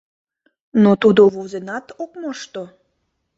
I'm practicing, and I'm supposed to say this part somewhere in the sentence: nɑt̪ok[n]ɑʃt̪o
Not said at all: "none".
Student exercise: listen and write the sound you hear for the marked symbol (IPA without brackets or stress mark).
m